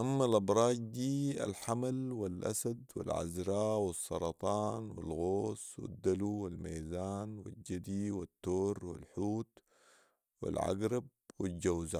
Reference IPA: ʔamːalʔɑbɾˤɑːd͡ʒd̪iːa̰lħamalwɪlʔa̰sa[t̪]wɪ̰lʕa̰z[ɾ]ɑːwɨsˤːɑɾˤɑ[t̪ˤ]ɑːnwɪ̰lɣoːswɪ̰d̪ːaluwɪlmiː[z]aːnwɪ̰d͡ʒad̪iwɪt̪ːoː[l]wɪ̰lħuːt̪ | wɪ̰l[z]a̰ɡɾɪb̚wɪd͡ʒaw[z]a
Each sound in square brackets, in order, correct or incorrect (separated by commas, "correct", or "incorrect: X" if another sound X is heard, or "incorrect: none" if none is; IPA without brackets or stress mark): incorrect: d̪, correct, correct, correct, incorrect: ɾ, incorrect: ʕ, correct